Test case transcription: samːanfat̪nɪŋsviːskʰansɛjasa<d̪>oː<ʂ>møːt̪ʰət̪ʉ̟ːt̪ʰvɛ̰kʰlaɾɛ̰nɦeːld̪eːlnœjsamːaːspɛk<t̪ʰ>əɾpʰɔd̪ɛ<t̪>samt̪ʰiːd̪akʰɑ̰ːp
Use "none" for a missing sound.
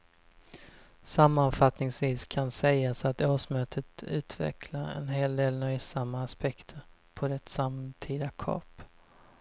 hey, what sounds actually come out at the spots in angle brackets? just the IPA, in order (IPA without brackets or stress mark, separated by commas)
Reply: t̪, ʂ, t̪ʰ, t̪